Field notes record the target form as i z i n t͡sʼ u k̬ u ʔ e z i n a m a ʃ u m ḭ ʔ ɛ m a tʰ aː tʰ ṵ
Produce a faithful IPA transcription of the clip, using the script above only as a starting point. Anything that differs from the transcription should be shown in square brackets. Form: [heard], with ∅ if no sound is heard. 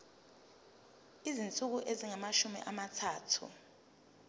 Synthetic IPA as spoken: i z i n t͡sʼ u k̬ u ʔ e z i [ŋ] a m a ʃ u m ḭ ʔ [a] m a tʰ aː tʰ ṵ